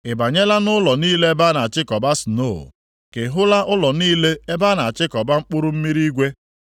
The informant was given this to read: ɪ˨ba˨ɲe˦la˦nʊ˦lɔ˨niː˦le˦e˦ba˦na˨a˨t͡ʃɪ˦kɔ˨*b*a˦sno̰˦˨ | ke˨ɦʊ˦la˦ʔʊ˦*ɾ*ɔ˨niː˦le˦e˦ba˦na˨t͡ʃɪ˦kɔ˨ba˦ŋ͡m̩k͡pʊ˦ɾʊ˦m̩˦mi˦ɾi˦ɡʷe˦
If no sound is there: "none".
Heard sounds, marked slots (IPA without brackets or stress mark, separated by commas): b, l